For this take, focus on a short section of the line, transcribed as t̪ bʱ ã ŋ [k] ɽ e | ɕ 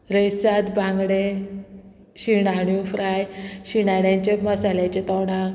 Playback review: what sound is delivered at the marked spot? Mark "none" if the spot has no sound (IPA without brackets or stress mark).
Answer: ɡ